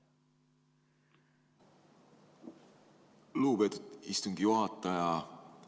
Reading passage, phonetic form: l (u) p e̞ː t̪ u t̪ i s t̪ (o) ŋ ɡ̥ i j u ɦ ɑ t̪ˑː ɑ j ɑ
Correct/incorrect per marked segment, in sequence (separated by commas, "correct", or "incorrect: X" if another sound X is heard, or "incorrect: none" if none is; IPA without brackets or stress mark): incorrect: uː, incorrect: u